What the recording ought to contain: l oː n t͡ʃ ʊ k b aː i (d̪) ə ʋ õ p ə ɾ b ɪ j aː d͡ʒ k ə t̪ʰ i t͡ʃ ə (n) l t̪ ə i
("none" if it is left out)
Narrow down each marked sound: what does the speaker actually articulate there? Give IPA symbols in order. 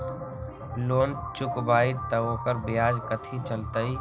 t̪, none

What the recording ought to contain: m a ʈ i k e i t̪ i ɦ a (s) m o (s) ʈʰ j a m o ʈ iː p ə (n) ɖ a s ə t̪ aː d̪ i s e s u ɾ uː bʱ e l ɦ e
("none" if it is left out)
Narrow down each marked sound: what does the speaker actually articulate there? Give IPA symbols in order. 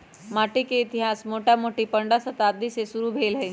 s, none, ɳ

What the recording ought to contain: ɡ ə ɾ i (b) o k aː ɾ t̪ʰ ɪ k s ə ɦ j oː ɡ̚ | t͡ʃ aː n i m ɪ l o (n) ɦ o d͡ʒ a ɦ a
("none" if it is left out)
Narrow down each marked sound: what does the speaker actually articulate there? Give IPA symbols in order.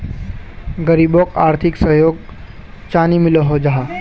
b, none

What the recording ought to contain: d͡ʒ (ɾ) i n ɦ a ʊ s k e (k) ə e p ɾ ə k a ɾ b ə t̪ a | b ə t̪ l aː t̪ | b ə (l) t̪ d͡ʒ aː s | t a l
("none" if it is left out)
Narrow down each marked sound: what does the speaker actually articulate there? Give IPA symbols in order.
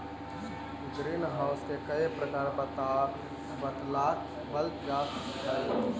ɾ, k, l

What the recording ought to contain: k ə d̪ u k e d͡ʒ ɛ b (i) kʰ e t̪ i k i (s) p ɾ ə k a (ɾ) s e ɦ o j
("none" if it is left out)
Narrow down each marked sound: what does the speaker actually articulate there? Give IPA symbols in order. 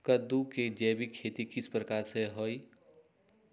i, s, ɾ

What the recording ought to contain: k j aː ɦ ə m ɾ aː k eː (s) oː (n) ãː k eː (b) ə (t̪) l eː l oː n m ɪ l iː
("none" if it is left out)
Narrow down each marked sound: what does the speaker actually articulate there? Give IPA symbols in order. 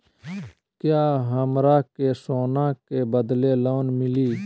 s, n, b, d̪

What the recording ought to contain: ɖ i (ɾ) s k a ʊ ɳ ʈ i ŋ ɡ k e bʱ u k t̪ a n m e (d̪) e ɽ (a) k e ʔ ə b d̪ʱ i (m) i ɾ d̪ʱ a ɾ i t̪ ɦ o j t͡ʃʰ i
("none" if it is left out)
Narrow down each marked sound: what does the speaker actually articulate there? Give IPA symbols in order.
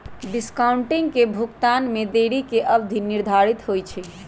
none, d̪, i, n

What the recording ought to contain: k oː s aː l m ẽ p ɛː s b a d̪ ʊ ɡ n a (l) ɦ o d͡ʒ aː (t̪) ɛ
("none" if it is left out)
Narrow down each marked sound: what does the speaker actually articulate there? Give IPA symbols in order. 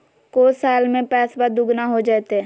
none, t̪

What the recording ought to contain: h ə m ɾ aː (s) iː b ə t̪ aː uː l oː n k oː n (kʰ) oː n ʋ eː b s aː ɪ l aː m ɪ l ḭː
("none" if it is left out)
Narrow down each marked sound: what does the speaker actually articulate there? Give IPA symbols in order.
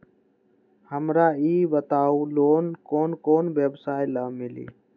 none, k

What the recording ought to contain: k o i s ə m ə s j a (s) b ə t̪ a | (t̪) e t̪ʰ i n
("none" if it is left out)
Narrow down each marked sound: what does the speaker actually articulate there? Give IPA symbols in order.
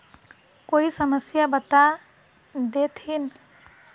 none, d̪

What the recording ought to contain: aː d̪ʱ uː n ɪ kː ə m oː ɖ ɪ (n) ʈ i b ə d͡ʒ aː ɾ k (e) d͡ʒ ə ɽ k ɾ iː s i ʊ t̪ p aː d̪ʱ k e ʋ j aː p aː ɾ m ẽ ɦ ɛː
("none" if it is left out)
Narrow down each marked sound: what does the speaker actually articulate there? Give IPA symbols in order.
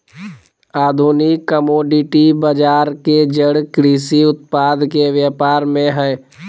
none, e

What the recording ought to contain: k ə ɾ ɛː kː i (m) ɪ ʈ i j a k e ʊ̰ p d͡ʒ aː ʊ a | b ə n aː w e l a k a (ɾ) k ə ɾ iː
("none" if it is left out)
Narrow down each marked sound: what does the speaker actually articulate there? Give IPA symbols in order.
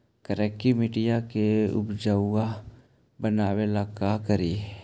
m, none

